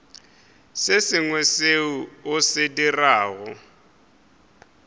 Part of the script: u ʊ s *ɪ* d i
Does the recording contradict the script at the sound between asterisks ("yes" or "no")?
no